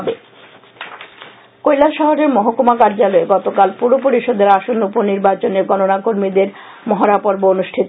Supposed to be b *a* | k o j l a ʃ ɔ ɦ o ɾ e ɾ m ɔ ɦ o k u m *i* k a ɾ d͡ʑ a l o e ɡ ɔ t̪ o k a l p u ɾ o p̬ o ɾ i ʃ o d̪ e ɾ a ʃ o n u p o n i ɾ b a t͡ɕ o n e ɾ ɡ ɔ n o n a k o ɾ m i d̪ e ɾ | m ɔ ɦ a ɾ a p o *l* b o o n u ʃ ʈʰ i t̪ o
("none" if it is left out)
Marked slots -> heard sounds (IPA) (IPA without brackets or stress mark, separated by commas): e, a, ɾ